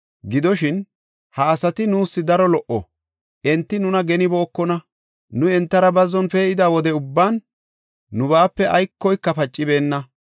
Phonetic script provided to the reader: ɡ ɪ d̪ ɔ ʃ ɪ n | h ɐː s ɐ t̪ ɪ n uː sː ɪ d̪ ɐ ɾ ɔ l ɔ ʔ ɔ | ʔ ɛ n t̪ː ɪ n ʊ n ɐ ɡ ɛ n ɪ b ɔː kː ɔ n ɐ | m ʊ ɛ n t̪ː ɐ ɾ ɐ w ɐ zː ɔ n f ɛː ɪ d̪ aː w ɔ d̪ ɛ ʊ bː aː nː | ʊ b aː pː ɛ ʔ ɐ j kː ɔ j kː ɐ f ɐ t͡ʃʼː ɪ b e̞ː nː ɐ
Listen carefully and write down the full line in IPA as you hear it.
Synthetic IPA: ɡ ɪ d̪ ɔ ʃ ɪ n | h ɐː s ɐ t̪ ɪ n uː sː ɪ d̪ ɐ ɾ ɔ l ɔ ʔ ɔ | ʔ ɛ n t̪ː ɪ n ʊ n ɐ ɡ ɛ n ɪ b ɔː kː ɔ n ɐ | n ʊ ɛ n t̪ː ɐ ɾ ɐ b ɐ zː ɔ n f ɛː ɪ d̪ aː w ɔ d̪ ɛ ʊ bː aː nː | ʊ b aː pː ɛ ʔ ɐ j kː ɔ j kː ɐ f ɐ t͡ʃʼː ɪ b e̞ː nː ɐ